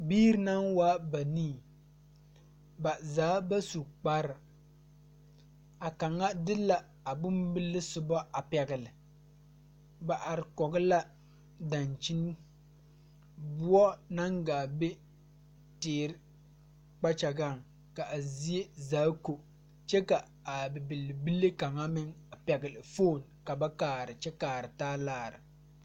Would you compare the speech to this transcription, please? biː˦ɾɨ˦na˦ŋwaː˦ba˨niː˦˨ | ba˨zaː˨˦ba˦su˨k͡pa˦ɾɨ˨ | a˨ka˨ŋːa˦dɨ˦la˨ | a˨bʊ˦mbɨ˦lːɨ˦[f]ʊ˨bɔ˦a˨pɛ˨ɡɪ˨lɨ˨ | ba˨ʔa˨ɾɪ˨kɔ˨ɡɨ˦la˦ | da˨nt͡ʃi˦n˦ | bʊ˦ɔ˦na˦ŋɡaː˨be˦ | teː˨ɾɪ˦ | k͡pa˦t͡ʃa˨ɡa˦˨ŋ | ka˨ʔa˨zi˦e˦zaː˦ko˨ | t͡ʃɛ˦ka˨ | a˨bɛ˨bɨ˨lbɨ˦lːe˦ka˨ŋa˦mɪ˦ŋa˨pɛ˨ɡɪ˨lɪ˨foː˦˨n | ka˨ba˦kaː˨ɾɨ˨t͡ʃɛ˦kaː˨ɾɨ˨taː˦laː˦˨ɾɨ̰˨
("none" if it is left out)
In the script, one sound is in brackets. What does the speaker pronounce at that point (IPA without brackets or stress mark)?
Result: s